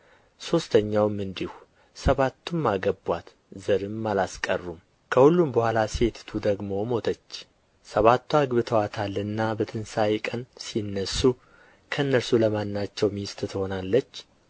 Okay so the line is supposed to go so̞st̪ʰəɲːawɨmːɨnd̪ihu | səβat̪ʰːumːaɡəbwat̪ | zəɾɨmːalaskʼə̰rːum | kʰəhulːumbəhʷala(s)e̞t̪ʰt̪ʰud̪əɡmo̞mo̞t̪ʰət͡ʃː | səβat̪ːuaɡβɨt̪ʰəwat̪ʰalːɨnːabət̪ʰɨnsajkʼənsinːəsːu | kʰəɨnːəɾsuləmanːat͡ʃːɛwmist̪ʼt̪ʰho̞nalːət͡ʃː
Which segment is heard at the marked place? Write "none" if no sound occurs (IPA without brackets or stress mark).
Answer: s